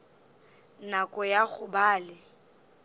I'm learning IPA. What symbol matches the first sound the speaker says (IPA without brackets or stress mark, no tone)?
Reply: n